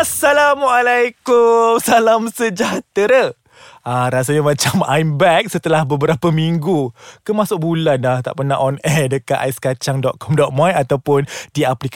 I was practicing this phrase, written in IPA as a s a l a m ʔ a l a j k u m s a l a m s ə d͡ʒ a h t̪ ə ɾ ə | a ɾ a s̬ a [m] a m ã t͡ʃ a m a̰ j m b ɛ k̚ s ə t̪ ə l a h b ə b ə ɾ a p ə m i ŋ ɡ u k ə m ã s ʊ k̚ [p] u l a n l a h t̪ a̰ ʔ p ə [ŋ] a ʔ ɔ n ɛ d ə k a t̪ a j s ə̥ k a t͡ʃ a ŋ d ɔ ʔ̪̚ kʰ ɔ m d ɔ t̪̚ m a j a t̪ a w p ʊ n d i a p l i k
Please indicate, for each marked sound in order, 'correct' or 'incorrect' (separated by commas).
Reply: incorrect, incorrect, incorrect